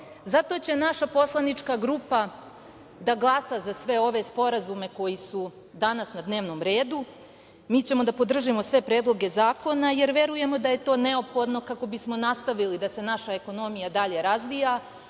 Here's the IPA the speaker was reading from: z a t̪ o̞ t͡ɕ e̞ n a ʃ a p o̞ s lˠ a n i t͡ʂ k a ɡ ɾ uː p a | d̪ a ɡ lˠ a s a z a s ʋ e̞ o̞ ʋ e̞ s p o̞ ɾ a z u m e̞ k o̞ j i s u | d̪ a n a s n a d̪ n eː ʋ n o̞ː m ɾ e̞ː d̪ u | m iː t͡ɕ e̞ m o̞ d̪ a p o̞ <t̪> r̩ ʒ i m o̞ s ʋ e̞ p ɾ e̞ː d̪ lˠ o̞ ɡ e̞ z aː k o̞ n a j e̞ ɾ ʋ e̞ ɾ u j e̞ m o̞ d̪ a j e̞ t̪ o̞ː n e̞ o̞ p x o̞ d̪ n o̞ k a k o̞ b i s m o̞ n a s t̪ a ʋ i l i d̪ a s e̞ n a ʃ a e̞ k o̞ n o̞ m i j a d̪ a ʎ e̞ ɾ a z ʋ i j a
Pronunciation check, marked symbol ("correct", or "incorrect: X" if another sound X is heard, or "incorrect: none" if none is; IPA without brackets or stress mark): incorrect: d̪